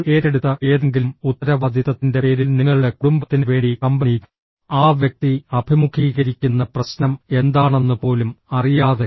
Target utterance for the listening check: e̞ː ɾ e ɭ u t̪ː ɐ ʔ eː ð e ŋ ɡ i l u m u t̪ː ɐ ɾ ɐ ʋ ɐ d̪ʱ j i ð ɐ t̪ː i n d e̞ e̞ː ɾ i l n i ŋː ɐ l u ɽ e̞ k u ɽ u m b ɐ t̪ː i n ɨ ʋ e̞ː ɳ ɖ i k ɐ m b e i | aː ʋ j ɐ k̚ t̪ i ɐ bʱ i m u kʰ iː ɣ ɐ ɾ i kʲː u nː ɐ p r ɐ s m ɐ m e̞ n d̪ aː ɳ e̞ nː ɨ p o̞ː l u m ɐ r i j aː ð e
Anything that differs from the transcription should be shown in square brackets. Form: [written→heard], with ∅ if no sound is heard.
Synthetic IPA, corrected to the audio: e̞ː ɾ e [ɭ→ɽ] u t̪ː ɐ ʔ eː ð e ŋ ɡ i l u m u t̪ː ɐ ɾ ɐ ʋ ɐ d̪ʱ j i ð ɐ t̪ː i n d e̞ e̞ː ɾ i l n i ŋː ɐ [l→ɭ] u ɽ e̞ k u ɽ u m b ɐ t̪ː i n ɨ ʋ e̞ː ɳ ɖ i k ɐ m b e i | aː ʋ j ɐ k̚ t̪ i ɐ bʱ i m u kʰ iː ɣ ɐ ɾ i kʲː u nː ɐ p r ɐ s [m→n] ɐ m e̞ n d̪ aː ɳ e̞ nː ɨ p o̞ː l u m ɐ r i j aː ð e